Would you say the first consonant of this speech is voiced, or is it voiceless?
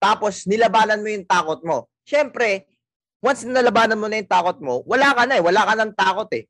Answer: voiceless